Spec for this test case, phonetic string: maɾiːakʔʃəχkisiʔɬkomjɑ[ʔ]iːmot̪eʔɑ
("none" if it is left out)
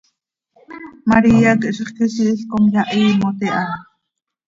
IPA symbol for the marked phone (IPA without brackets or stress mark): ʔ